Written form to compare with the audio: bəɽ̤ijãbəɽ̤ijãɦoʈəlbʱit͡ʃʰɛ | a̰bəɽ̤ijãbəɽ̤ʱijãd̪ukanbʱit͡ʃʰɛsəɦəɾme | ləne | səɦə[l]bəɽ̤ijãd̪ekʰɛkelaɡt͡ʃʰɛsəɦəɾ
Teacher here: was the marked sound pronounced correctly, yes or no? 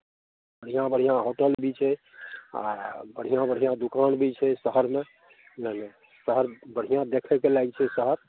no